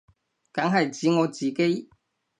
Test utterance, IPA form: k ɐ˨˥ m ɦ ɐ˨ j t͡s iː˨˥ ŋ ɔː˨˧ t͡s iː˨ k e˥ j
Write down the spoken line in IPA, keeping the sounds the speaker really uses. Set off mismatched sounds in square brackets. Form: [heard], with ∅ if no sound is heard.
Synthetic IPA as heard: k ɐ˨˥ [ŋ] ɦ ɐ˨ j t͡s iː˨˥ ŋ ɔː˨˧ t͡s iː˨ k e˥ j